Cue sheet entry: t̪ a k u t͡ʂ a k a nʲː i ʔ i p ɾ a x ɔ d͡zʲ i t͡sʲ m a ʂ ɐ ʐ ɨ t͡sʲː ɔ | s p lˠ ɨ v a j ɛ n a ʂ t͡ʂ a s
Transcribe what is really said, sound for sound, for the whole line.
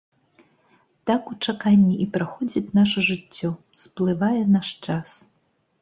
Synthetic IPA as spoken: t̪ a k u t͡ʂ a k a nʲː i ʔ i p ɾ a x ɔ d͡zʲ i t͡sʲ n a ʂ ɐ ʐ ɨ t͡sʲː ɔ | s p lˠ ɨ v a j ɛ n a ʂ t͡ʂ a s